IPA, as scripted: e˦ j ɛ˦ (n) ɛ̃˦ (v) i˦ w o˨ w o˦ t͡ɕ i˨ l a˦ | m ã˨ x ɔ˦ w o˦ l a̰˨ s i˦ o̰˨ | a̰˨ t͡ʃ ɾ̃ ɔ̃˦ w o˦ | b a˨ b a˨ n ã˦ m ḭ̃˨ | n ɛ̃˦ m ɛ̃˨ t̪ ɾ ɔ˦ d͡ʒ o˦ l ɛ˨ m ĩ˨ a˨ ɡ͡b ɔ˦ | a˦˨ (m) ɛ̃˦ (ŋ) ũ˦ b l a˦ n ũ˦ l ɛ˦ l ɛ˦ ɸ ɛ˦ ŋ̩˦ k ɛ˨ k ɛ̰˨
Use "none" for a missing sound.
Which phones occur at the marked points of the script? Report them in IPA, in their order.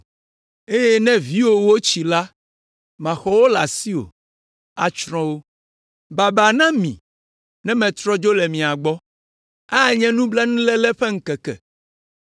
n, v, ɲ, n

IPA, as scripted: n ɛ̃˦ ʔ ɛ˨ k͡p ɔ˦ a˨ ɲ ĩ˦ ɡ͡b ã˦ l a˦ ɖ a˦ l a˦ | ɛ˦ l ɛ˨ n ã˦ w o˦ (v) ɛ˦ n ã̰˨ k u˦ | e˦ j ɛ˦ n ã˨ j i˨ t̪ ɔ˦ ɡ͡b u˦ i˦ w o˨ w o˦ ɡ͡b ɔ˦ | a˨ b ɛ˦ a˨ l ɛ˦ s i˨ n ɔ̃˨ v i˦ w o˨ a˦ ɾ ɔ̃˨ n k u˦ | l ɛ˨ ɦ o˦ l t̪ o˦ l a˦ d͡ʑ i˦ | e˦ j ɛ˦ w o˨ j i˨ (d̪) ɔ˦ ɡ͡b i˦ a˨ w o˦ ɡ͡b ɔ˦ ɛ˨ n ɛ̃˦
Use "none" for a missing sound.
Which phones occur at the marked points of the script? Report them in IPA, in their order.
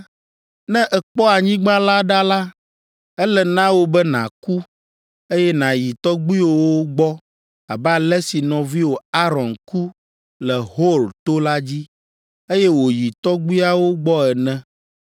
b, t̪

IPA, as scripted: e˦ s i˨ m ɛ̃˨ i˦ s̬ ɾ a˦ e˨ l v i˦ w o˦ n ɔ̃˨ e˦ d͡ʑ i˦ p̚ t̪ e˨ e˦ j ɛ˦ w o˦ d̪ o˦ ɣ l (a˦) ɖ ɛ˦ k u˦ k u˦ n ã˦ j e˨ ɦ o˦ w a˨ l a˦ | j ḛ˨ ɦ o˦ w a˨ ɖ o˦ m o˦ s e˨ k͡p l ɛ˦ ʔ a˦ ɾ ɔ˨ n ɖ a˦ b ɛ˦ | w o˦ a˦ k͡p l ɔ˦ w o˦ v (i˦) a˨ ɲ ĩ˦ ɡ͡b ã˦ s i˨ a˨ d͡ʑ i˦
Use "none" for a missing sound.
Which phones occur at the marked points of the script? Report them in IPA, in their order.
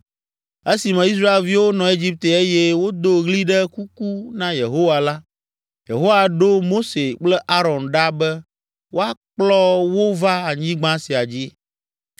i˦, a˦

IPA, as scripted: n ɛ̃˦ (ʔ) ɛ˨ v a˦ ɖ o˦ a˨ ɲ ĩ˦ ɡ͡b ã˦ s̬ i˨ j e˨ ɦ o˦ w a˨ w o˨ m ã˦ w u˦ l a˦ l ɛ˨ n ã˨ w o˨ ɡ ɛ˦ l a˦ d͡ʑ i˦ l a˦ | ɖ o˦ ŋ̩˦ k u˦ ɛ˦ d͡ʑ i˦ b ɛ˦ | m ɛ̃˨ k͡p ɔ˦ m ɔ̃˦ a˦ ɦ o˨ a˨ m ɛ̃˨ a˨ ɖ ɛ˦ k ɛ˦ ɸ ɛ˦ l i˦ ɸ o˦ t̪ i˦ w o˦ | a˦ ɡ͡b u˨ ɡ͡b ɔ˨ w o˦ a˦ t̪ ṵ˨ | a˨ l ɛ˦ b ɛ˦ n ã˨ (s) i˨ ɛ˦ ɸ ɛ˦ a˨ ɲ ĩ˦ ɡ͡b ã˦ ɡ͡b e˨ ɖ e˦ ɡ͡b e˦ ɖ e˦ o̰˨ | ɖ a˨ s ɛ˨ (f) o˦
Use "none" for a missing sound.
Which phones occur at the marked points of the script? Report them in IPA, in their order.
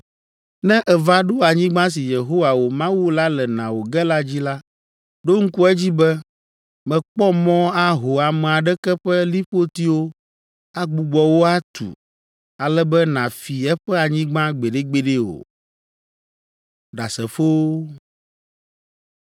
ʔ, f, f

